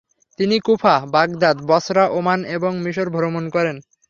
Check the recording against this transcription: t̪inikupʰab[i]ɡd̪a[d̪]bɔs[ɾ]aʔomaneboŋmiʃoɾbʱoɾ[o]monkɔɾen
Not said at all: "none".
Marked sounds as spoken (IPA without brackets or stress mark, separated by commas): a, d̪, ɾ, o